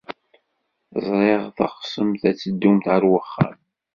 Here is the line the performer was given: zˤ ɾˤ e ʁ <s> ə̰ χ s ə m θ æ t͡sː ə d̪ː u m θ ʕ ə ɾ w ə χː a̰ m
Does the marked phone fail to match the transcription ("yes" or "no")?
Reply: yes